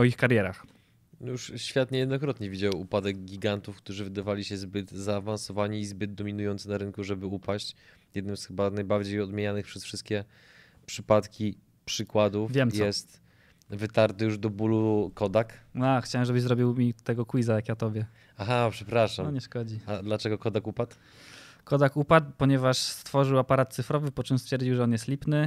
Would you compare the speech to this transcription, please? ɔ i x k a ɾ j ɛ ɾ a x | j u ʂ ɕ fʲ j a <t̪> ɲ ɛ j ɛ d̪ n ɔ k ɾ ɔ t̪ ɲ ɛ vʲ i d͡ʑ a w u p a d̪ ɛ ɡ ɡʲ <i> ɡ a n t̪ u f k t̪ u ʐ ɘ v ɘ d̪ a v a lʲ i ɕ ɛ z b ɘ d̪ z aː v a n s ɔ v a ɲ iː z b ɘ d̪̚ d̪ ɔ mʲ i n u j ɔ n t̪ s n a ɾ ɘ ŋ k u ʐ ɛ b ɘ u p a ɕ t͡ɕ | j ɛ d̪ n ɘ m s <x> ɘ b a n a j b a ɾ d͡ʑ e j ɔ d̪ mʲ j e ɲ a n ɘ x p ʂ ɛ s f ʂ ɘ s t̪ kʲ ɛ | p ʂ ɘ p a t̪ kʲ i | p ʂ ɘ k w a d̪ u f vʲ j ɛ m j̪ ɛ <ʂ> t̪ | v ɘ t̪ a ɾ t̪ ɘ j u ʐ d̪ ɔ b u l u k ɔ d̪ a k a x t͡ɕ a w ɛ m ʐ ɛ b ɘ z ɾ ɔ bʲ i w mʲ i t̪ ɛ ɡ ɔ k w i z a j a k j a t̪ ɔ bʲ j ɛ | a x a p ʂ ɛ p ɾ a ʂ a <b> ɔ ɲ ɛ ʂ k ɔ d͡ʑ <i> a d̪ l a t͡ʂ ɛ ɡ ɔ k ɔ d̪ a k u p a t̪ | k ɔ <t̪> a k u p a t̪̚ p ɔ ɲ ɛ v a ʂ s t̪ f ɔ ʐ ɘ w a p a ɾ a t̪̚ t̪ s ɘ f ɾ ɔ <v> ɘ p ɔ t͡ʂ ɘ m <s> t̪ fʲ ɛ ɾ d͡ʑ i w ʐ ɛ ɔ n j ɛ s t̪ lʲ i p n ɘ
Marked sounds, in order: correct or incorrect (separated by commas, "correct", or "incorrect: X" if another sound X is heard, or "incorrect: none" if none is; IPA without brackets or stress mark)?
correct, correct, correct, incorrect: s, incorrect: m, correct, incorrect: d̪, correct, correct